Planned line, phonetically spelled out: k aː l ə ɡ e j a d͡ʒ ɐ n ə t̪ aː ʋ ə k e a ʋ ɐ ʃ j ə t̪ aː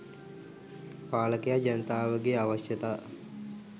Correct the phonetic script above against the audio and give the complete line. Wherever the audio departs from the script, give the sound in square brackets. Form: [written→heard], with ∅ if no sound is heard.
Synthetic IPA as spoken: [k→p] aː l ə [ɡ→k] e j a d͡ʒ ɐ n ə t̪ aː ʋ ə [k→ɡ] e a ʋ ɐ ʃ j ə t̪ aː